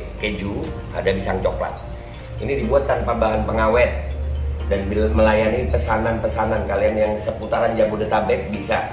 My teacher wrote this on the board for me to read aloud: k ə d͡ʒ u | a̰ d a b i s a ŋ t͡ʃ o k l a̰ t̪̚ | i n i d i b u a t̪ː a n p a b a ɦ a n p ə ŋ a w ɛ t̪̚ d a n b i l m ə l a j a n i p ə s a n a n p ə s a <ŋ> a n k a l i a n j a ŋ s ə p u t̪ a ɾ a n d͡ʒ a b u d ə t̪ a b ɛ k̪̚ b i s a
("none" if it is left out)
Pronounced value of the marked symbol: n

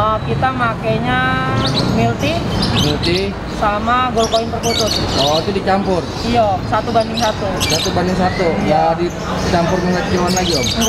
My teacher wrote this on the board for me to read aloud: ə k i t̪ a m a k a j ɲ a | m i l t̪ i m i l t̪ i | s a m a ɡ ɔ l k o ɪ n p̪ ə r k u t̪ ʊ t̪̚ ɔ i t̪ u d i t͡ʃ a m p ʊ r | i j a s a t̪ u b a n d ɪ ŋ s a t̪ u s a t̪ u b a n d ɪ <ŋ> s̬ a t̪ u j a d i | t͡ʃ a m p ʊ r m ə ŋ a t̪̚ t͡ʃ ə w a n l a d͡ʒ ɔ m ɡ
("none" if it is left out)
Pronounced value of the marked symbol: ŋ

